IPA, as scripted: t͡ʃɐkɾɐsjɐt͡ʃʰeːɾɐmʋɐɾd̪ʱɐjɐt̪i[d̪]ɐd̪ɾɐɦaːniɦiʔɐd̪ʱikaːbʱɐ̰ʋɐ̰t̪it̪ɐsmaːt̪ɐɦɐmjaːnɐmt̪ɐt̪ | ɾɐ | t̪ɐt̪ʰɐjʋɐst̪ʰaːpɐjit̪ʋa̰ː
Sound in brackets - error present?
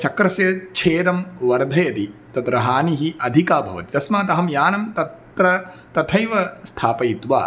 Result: yes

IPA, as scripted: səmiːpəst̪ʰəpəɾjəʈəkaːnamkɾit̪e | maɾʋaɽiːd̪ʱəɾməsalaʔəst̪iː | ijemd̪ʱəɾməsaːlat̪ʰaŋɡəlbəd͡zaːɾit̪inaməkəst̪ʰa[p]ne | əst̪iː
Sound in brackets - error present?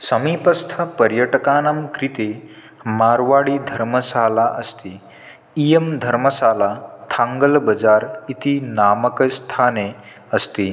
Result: yes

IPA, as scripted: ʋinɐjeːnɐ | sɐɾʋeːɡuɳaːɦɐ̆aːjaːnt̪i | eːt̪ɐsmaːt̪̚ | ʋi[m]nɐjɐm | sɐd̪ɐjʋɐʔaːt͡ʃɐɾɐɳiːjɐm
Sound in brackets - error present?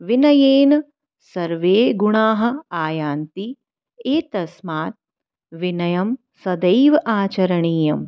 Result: yes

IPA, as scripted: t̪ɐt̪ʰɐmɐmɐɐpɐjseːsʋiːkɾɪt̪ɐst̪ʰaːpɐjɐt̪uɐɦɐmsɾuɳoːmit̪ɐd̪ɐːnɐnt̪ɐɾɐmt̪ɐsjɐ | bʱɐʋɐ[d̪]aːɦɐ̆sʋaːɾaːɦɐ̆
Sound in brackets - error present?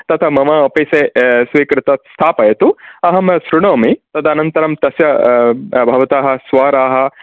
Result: yes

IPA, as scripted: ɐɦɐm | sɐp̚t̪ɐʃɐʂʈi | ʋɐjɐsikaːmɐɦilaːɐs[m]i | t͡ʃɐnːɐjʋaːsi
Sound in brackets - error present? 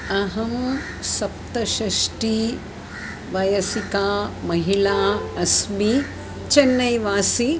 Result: no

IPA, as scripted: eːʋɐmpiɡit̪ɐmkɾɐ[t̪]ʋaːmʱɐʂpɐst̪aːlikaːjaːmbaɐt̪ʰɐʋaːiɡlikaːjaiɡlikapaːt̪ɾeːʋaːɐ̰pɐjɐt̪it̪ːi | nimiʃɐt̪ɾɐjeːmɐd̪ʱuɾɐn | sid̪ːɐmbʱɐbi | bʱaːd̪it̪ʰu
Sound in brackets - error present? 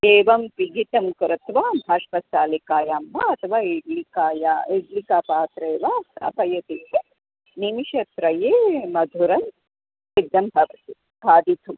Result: no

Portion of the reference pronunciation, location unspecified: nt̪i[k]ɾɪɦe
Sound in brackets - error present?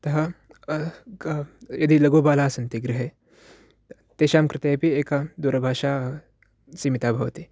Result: yes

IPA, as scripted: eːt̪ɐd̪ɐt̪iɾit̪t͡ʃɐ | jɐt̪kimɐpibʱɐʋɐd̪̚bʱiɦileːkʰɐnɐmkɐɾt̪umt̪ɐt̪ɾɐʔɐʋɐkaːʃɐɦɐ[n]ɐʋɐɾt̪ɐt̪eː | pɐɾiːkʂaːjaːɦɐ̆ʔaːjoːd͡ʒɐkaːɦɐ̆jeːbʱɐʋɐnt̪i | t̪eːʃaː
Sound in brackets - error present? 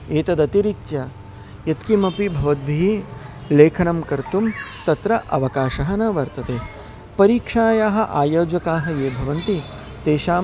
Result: no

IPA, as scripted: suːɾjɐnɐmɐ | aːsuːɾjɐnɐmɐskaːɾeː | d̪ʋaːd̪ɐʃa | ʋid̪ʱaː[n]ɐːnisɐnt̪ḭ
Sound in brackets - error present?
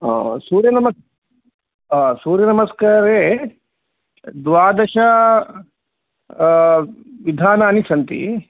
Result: no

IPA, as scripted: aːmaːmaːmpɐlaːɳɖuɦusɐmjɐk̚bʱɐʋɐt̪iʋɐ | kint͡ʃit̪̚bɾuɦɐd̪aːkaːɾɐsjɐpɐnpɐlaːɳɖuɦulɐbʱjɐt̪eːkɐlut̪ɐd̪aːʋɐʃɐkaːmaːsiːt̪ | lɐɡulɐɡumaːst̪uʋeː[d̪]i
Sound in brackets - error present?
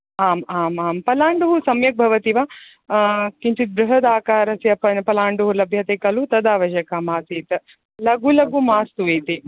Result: yes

